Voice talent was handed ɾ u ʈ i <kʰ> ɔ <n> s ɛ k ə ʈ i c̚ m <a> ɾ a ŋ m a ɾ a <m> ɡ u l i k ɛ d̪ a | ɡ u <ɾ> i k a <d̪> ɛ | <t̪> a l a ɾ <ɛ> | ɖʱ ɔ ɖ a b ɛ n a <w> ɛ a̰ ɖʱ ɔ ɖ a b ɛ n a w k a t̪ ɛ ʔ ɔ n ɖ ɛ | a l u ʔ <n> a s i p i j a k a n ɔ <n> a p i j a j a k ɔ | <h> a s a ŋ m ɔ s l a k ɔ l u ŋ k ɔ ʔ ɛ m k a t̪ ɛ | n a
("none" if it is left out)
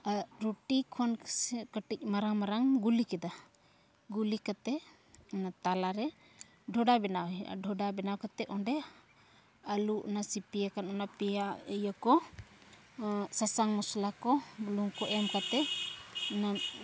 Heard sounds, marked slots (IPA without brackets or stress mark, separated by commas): kʰ, n, a, ŋ, l, t̪, t̪, ɛ, w, n, n, s